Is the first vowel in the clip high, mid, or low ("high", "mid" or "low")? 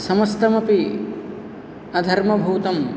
low